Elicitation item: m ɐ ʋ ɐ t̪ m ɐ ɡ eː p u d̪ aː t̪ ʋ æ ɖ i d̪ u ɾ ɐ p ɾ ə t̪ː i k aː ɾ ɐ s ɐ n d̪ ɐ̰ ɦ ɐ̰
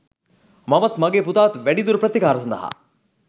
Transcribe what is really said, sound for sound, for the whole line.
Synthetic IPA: m ɐ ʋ ɐ t̪ m ɐ ɡ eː p u t̪ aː t̪ ʋ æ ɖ i d̪ u ɾ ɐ p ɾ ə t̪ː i k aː ɾ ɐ s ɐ n d̪ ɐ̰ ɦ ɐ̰